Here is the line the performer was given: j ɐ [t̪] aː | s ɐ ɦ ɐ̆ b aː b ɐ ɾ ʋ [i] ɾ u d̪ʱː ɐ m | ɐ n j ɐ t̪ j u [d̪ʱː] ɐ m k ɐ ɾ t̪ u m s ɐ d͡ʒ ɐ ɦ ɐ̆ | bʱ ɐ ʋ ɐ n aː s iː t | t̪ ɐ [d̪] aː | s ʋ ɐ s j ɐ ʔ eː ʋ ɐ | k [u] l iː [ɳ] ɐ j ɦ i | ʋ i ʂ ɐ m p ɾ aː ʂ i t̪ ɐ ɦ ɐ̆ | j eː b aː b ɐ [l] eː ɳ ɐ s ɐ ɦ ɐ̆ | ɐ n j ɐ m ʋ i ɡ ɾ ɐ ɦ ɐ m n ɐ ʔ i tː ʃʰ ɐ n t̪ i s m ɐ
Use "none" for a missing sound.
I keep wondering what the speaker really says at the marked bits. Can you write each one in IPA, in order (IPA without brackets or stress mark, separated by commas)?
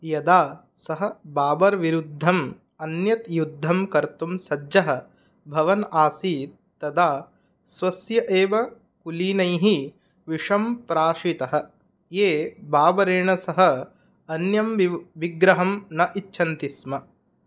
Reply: d̪, i, d̪ʱː, d̪, u, n, ɾ